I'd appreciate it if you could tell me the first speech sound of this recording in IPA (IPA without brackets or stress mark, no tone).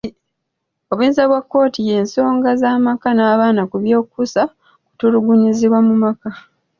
o̞